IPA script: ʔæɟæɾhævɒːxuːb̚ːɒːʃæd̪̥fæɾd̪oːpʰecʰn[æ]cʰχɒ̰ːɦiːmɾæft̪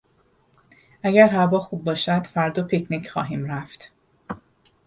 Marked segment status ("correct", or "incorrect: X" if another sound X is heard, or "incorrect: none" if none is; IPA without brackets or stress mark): incorrect: i